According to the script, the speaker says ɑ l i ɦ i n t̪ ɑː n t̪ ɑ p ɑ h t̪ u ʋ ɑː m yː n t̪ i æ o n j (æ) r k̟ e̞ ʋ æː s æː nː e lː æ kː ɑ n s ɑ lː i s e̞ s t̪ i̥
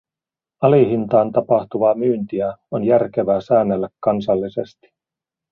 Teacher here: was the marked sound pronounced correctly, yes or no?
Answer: yes